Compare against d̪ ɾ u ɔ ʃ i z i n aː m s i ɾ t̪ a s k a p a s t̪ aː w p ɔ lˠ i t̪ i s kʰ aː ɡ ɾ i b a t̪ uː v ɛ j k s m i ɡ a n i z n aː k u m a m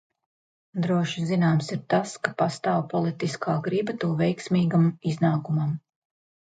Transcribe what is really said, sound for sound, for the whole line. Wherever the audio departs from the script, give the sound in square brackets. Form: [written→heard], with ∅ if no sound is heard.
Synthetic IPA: d̪ ɾ u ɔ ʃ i z i n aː m s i ɾ t̪ a s k a p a s t̪ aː w p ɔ lˠ i t̪ i s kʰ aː ɡ ɾ i b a t̪ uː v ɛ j k s m [i→iː] ɡ a [n→m] i z n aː k u m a m